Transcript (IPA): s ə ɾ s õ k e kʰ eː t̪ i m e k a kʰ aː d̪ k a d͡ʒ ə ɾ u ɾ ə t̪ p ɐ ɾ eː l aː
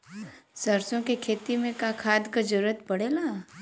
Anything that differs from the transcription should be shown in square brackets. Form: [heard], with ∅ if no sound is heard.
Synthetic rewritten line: s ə ɾ s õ k e kʰ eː t̪ i m [ẽ] k a kʰ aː d̪ k a d͡ʒ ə ɾ u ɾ ə t̪ p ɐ [ɽ] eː l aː